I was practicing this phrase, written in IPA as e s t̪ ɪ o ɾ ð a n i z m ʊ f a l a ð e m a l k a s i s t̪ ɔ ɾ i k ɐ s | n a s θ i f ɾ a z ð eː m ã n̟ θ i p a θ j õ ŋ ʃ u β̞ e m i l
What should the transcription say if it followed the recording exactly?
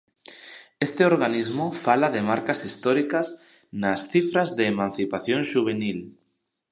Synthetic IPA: e s t̪ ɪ o ɾ ɣ a n i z m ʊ f a l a ð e m a ɾ k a s i s t̪ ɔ ɾ i k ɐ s | n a s θ i f ɾ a z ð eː m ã n̟ θ i p a θ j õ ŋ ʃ u β̞ e n i l